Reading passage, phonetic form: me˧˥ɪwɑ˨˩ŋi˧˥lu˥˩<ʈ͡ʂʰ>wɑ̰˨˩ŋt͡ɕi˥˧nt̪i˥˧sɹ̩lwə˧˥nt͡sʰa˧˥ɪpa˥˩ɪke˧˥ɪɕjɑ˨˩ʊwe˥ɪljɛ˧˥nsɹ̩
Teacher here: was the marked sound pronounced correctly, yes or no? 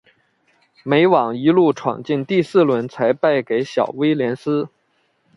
yes